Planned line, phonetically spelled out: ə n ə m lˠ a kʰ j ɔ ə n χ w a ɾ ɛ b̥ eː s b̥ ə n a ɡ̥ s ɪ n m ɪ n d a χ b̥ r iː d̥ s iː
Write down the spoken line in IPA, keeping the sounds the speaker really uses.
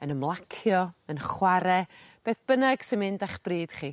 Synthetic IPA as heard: ə n ə m lˠ a kʰ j ɔ ə n χ w a ɾ ɛ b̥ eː θ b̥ ə n a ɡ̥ s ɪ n m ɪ n d a χ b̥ r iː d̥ χ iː